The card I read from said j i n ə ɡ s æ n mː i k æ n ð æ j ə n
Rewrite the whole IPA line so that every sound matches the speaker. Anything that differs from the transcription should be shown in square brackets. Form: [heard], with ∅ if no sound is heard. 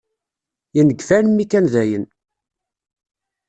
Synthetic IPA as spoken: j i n ə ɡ [f] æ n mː i k æ n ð æ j ə n